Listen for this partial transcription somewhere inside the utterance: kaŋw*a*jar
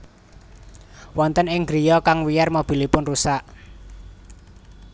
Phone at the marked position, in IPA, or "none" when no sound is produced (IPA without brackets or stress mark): i